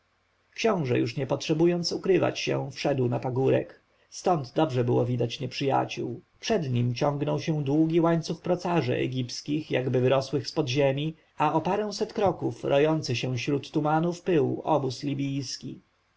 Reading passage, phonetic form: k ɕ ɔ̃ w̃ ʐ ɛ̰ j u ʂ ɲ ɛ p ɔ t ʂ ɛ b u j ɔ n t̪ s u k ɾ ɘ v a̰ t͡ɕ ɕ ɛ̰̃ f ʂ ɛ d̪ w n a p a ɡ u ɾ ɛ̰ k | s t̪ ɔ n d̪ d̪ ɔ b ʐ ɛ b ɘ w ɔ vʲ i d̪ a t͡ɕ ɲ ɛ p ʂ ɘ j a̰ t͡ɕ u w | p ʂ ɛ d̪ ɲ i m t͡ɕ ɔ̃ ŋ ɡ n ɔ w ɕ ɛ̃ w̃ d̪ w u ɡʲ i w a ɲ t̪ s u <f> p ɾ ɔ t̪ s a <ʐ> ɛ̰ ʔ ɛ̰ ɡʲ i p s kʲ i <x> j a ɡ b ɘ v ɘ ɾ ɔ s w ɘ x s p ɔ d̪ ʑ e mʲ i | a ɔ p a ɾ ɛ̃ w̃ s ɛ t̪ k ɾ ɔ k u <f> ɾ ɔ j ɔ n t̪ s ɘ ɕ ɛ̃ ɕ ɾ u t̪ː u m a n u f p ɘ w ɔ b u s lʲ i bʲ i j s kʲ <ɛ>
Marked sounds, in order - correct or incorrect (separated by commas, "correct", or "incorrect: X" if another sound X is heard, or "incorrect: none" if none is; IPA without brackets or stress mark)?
incorrect: x, correct, correct, correct, incorrect: i